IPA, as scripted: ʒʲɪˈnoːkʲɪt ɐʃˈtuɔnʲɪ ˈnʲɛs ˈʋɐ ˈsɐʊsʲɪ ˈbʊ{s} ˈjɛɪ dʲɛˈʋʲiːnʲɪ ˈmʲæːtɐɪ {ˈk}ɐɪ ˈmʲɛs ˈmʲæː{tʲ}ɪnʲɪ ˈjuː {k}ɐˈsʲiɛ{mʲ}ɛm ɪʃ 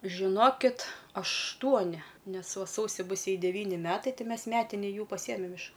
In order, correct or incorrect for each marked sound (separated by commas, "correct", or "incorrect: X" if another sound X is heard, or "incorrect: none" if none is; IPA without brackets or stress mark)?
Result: correct, incorrect: t, correct, incorrect: p, correct